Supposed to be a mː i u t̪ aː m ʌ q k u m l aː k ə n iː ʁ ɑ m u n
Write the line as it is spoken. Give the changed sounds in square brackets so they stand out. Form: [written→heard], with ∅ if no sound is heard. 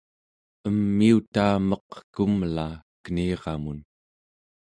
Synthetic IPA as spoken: [a→ə] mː i u t̪ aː m ʌ q k u m l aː k ə n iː ʁ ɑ m u n